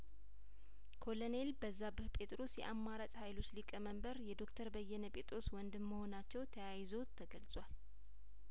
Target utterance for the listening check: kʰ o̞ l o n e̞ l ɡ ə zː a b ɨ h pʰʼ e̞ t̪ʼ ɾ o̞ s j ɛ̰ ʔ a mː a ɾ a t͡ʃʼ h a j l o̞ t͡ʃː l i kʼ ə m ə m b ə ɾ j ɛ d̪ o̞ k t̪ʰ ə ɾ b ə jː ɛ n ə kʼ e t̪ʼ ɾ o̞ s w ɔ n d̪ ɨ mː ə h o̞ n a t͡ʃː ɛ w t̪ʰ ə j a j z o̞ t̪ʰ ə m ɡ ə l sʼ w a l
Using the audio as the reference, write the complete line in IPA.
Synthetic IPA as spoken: kʰ o̞ l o n e̞ l b ə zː a b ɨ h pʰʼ e̞ t̪ʼ ɾ o̞ s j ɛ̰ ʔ a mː a ɾ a t͡ʃʼ h a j l o̞ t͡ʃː l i kʼ ə m ə m b ə ɾ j ɛ d̪ o̞ k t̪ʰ ə ɾ b ə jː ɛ n ə pʼ e t̪ʼ ɾ o̞ s w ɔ n d̪ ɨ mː ə h o̞ n a t͡ʃː ɛ w t̪ʰ ə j a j z o̞ t̪ʰ ə ɡ ə l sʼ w a l

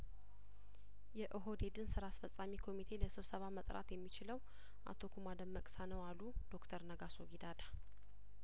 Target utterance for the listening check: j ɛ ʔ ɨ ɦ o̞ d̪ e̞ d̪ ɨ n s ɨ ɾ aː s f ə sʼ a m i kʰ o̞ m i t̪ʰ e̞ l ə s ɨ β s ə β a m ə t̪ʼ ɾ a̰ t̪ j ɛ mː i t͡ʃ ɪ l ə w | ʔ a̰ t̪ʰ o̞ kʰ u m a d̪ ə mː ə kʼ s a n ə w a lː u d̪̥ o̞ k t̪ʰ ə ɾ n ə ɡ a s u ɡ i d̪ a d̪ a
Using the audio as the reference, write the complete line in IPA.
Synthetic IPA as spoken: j ɛ ʔ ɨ ɦ o̞ d̪ e̞ d̪ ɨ n s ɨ ɾ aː s f ə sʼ a m i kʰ o̞ m i t̪ʰ e̞ l ə s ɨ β s ə β a m ə t̪ʼ ɾ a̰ t̪ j ɛ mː i t͡ʃ ɪ l ə w | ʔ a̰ t̪ʰ o̞ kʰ u m a d̪ ə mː ə kʼ s a n ə w a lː u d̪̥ o̞ k t̪ʰ ə ɾ n ə ɡ a s o ɡ i d̪ a d̪ a

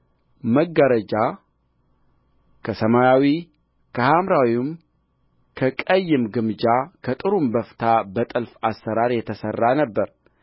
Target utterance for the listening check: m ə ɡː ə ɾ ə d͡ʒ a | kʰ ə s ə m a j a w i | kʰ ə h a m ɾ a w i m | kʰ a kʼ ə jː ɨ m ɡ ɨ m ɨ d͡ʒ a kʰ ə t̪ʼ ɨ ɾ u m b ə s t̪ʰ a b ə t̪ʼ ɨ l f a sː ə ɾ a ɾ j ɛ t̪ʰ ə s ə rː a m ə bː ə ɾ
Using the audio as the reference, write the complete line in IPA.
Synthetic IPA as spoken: m ə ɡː ə ɾ ə d͡ʒ a | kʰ ə s ə m a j a w i | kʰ ə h a m ɾ a w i m | kʰ ə kʼ ə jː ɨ m ɡ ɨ m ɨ d͡ʒ a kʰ ə t̪ʼ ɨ ɾ u m b ə f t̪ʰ a b ə t̪ʼ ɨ l f a sː ə ɾ a ɾ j ɛ t̪ʰ ə s ə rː a n ə bː ə ɾ

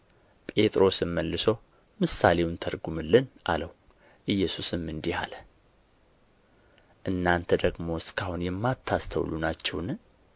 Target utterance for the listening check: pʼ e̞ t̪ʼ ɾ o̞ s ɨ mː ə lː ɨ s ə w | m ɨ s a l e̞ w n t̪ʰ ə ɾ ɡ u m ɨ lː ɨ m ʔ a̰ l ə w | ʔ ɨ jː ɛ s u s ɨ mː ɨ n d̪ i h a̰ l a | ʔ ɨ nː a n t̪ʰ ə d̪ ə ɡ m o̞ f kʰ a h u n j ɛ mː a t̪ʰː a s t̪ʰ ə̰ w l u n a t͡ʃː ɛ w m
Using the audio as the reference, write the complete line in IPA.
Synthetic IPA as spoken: pʼ e̞ t̪ʼ ɾ o̞ s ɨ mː ə lː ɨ s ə w | m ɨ s a l e̞ w n t̪ʰ ə ɾ ɡ u m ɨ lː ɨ n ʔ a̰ l ə w | ʔ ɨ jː ɛ s u s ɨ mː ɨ n d̪ i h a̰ l ə | ʔ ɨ nː a n t̪ʰ ə d̪ ə ɡ m o̞ s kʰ a h u n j ɛ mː a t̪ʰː a s t̪ʰ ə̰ w l u n a t͡ʃː ɛ w n

